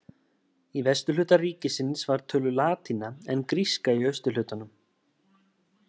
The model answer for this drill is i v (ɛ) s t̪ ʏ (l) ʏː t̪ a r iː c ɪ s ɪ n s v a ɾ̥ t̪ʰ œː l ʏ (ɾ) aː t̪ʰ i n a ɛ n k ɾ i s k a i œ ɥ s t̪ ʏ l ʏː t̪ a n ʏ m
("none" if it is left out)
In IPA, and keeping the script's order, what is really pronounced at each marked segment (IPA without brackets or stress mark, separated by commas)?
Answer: ɛ, l, l